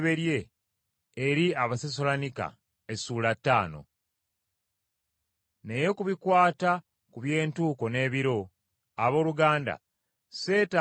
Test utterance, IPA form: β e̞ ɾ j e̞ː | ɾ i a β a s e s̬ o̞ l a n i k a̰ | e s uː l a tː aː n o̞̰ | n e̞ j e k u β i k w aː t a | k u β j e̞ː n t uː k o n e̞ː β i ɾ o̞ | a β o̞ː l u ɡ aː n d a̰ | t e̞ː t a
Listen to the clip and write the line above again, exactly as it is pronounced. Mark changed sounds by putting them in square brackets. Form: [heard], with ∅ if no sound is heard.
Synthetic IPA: β e̞ ɾ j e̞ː | ɾ i a β a s e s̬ o̞ l a n i k a̰ | e s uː l a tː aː n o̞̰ | n e̞ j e k u β i k w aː t a | k u β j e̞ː n t uː k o n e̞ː β i ɾ o̞ | a β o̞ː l u ɡ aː n d a̰ | [s] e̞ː t a